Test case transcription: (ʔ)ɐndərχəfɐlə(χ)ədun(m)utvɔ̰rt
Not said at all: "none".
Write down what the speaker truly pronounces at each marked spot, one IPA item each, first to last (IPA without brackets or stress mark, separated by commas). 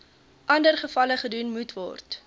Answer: ʔ, χ, m